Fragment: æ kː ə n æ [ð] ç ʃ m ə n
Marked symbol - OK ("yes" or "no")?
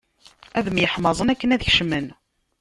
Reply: yes